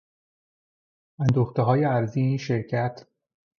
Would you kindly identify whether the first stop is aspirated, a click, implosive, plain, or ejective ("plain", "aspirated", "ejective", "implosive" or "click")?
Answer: plain